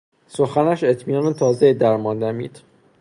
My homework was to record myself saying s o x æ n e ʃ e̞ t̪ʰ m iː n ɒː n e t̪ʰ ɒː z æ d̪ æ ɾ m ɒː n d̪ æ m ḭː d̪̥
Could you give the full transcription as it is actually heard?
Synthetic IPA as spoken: s o x æ n æ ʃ e̞ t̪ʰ m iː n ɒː n e t̪ʰ ɒː z e d̪ æ ɾ m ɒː n d̪ æ m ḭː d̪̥